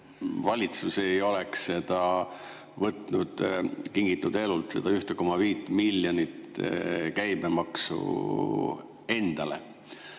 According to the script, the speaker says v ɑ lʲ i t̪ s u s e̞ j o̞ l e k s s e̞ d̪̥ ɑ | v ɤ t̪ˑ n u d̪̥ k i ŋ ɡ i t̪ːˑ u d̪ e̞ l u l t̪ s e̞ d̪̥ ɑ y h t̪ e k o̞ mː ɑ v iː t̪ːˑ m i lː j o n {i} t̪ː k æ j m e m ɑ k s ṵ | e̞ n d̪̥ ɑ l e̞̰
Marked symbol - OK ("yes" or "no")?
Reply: yes